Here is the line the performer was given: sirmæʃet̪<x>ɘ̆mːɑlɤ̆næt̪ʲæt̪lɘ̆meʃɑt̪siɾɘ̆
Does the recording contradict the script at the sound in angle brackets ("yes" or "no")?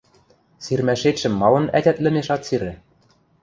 yes